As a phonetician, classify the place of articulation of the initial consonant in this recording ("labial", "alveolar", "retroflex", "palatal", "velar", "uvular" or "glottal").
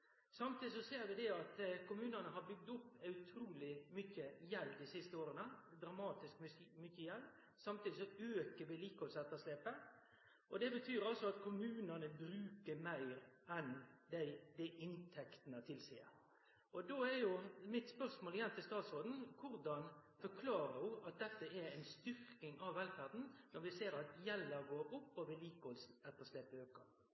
alveolar